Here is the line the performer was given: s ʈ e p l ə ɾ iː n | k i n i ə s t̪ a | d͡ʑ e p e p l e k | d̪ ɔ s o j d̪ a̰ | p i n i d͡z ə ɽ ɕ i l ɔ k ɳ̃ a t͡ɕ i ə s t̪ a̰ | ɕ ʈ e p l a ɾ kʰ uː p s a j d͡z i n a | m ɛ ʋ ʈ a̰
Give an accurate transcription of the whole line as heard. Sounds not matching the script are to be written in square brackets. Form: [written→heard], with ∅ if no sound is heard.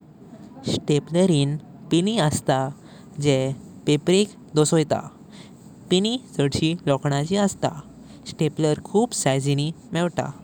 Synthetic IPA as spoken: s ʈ e p l ə ɾ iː n | [k→p] i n i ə s t̪ a | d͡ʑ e p e p [l→ɾ] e k | d̪ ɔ s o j [d̪→t̪] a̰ | p i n i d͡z ə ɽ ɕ i l ɔ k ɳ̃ a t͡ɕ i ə s t̪ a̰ | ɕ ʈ e p l [a→ə] ɾ kʰ uː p s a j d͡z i n [a→i] | m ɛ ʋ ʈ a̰